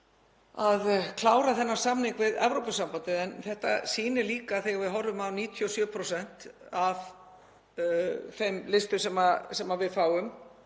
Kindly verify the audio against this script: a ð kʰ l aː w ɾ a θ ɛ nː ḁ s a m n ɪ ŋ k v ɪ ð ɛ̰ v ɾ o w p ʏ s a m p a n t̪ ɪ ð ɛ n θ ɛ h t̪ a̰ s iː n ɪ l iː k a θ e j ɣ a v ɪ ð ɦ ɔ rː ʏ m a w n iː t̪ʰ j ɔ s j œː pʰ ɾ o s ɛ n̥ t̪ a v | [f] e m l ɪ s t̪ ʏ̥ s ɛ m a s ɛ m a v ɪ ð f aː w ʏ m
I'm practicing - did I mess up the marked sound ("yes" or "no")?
no